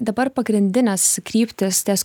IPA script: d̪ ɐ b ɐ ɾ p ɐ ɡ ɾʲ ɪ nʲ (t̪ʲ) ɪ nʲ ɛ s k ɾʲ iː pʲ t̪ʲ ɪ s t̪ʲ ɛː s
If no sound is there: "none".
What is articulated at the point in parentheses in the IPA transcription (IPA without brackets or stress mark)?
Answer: d̪ʲ